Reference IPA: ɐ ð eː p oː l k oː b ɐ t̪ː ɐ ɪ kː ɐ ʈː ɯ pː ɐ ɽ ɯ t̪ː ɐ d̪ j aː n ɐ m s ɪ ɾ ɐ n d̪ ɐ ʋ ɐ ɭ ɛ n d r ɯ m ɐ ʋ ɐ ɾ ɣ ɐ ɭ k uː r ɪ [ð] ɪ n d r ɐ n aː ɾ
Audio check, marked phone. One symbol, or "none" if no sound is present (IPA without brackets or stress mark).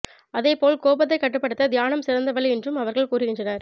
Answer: ɣ